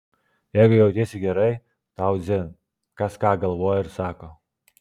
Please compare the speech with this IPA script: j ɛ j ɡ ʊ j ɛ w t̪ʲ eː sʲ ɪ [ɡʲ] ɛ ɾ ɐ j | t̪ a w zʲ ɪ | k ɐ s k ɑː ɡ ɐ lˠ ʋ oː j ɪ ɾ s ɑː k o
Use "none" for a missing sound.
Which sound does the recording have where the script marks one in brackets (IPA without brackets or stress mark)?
ɡʲ